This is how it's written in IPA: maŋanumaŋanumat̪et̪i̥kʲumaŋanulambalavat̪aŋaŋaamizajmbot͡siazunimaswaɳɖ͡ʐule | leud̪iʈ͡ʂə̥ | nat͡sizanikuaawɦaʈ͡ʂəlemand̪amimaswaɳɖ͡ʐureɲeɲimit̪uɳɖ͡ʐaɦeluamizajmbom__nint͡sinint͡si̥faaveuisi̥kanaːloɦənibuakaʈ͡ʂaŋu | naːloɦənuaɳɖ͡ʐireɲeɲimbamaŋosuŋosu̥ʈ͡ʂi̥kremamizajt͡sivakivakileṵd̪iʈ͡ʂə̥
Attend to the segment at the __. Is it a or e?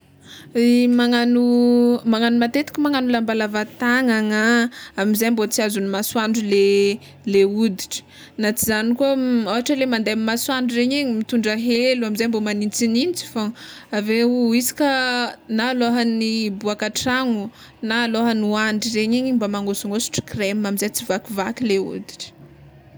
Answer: a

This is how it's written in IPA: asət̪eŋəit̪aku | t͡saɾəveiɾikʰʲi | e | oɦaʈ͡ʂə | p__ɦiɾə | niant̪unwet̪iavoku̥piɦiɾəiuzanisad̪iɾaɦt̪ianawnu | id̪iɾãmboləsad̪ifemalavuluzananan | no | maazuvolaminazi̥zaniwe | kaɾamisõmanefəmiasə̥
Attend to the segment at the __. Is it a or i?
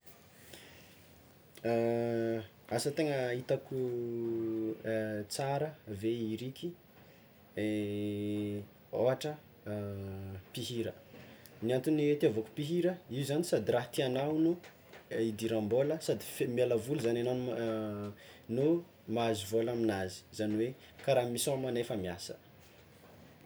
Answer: i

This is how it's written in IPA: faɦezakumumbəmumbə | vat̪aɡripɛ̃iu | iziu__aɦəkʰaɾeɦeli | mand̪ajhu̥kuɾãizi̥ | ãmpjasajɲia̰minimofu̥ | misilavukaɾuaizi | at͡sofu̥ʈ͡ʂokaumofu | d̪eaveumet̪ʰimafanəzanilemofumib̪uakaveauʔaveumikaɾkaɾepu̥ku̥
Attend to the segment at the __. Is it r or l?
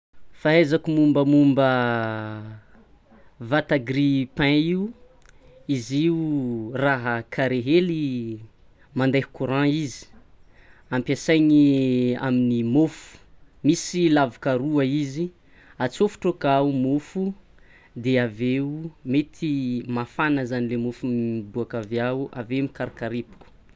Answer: r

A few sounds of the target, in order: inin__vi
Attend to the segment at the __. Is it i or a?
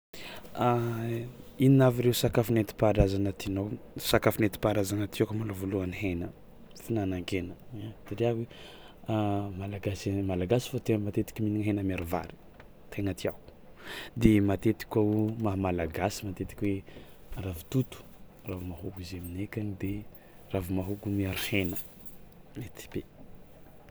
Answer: a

